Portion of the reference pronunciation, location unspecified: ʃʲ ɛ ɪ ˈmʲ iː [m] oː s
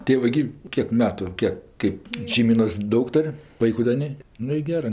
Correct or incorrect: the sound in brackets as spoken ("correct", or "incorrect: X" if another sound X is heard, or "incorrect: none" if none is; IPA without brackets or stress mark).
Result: incorrect: n